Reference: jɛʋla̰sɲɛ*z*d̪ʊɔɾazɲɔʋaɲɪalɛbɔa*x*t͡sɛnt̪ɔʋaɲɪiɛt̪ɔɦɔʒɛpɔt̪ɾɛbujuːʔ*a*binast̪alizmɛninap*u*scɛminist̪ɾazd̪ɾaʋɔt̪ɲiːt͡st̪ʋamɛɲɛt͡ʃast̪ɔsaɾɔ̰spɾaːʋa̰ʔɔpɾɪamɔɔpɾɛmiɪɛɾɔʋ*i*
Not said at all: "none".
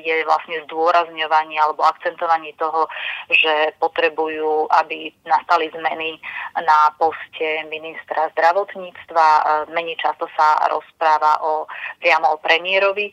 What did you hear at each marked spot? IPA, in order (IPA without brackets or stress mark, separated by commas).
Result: z, k, a, ɔ, i